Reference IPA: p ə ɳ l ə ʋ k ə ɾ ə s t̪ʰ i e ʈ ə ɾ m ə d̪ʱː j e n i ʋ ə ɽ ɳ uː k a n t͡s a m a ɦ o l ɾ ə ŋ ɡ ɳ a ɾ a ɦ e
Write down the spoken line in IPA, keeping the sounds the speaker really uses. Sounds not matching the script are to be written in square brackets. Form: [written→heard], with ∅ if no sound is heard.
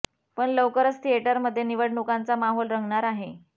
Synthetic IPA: p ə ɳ l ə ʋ k ə ɾ ə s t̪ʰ i e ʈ ə ɾ m ə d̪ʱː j e n i ʋ ə ɽ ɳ [uː→u] k a n t͡s a m a ɦ o l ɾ ə ŋ ɡ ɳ a ɾ a ɦ e